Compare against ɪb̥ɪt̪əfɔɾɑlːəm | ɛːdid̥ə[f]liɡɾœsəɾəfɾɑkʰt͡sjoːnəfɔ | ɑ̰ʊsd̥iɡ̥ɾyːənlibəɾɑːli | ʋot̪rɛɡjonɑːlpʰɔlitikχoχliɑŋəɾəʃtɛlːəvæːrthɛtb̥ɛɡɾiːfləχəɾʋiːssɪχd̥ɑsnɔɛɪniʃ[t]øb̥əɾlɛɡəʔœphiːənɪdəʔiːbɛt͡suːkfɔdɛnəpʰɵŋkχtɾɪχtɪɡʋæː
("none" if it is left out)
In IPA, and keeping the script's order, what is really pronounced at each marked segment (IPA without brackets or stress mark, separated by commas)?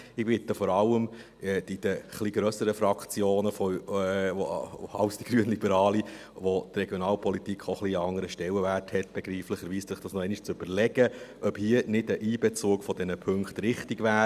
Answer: χ, t͡s